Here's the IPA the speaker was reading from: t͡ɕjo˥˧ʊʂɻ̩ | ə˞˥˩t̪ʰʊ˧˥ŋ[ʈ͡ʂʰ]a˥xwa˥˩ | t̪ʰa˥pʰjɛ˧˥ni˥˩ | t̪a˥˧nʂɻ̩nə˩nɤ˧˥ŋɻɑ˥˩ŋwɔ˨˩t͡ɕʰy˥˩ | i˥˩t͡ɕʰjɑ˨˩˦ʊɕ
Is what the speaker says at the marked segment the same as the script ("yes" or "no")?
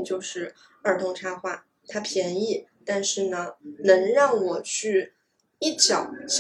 yes